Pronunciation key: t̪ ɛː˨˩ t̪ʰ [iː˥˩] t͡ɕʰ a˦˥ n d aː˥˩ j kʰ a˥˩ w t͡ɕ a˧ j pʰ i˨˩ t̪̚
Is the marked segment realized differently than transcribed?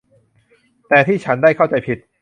no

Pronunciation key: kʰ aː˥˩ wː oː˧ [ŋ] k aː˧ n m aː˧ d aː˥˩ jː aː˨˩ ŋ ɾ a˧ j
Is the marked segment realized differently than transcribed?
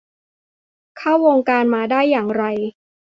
no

